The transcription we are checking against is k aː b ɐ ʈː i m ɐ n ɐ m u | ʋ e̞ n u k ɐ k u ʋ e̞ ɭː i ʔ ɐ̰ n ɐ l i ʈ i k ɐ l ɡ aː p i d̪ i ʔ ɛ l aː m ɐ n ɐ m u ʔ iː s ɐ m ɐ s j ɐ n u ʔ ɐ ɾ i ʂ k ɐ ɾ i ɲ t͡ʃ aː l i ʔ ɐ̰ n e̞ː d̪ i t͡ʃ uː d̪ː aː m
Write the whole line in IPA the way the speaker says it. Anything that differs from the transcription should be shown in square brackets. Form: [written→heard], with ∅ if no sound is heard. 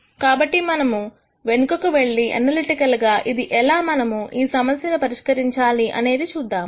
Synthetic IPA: k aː b ɐ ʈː i m ɐ n ɐ m u | ʋ e̞ n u k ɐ k u ʋ e̞ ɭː i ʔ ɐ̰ n ɐ l i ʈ i k ɐ l ɡ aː [p→ʔ] i d̪ i ʔ ɛ l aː m ɐ n ɐ m u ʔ iː s ɐ m ɐ s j ɐ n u [ʔ→p] ɐ ɾ i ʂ k ɐ ɾ i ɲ t͡ʃ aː l i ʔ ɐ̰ n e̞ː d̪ i t͡ʃ uː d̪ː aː m